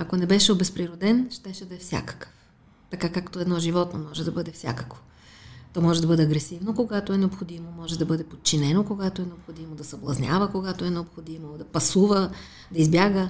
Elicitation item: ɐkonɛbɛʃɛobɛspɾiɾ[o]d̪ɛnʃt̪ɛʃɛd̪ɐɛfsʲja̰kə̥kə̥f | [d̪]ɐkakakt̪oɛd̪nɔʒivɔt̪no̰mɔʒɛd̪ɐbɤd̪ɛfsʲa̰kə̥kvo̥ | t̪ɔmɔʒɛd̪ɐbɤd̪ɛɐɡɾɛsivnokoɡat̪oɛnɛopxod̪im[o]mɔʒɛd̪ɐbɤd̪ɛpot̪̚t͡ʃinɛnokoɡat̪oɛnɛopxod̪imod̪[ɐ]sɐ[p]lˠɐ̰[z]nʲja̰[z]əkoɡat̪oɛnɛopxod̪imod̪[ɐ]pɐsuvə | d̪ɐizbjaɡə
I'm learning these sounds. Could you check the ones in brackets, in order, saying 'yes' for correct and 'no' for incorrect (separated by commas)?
yes, no, yes, yes, no, yes, no, yes